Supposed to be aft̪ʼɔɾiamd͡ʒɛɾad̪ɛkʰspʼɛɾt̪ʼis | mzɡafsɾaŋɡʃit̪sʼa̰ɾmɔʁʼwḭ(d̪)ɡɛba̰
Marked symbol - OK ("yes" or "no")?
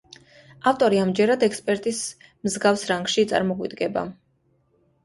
yes